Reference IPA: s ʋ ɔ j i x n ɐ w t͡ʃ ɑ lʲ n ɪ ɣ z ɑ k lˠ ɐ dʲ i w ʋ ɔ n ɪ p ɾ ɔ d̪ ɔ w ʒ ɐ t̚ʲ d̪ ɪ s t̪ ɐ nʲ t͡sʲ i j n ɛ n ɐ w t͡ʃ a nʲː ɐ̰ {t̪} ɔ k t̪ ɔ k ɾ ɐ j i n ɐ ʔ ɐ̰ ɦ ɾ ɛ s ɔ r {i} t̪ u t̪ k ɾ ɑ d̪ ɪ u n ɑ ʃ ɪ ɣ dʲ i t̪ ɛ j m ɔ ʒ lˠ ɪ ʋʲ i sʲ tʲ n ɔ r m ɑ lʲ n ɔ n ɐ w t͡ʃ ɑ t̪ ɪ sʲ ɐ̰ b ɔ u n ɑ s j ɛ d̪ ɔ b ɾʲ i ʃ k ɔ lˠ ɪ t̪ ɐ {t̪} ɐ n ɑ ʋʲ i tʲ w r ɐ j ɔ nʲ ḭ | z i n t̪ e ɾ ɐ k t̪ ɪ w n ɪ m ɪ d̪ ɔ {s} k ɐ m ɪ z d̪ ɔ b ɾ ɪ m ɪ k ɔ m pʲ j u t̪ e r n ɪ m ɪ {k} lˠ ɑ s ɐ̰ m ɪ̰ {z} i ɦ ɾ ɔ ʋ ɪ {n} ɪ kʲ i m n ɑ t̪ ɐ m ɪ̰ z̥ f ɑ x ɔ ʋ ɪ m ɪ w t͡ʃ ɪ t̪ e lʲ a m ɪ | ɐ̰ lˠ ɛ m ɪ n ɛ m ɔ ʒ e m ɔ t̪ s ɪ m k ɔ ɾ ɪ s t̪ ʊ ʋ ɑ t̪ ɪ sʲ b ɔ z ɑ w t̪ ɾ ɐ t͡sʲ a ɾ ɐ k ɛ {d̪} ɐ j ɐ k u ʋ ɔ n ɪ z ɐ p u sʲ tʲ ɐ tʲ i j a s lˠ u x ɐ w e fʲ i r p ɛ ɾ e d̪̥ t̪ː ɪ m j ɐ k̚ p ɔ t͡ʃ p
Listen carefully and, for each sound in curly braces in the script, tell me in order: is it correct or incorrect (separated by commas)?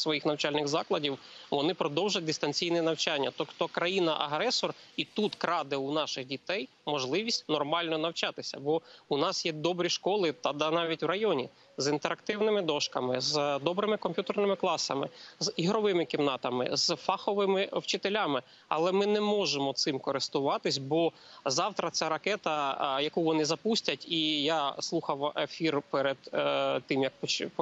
correct, correct, incorrect, incorrect, correct, correct, incorrect, incorrect